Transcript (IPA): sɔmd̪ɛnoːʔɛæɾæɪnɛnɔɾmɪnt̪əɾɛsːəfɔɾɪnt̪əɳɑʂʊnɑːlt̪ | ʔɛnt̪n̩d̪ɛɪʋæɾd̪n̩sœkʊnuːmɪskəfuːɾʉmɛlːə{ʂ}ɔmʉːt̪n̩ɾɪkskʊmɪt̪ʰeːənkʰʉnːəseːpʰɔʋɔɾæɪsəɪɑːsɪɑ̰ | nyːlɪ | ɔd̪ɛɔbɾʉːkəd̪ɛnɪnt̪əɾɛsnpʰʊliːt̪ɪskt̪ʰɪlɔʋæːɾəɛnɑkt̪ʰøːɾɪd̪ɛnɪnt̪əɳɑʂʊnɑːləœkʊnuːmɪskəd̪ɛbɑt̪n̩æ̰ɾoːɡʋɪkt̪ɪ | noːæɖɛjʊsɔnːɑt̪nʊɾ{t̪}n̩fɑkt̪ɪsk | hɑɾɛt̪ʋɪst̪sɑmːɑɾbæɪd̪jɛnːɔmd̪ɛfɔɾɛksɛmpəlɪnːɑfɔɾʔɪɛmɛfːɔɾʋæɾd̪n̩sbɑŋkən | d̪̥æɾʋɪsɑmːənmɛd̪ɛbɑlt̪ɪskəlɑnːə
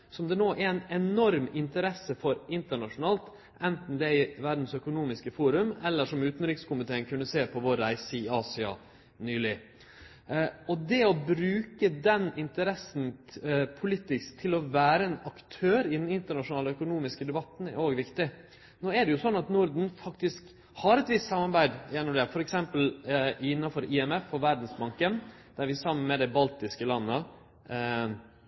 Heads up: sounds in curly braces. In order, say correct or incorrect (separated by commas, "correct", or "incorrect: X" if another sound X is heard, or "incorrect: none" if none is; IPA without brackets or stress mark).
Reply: correct, incorrect: d̪